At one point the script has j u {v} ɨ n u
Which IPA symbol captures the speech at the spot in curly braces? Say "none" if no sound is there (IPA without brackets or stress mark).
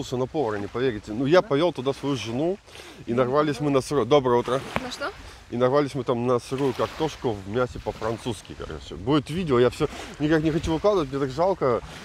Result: ʐ